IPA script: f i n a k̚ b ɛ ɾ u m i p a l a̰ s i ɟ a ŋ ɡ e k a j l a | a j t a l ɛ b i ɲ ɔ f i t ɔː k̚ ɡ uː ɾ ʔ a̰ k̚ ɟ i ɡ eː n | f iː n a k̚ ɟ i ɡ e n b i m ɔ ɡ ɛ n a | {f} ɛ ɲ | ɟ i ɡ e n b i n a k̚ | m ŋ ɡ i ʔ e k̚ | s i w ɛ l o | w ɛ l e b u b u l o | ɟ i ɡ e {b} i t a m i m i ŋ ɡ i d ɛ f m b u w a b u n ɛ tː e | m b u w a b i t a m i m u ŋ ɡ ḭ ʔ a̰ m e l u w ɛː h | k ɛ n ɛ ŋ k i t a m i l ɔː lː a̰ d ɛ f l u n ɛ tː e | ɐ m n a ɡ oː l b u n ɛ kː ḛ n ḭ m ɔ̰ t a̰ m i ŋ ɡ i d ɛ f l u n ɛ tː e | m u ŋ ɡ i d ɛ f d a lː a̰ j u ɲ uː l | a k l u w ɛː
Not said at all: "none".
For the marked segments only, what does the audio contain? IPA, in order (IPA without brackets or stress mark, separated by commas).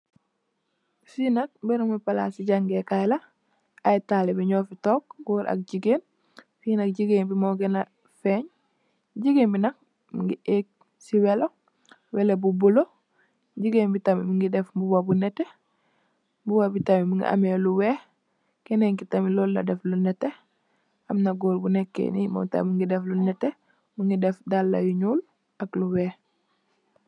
f, b